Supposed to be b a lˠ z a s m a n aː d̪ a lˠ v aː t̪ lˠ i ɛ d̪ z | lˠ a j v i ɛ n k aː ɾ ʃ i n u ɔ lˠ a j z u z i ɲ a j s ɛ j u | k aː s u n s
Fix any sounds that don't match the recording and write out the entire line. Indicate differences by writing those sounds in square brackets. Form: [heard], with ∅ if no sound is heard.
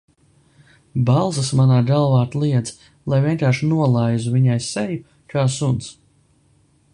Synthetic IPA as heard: b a lˠ z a s m a n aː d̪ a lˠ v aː t̪ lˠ i ɛ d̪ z | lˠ a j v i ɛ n k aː ɾ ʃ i n u ɔ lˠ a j z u [v] i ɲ a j s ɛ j u | k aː s u n s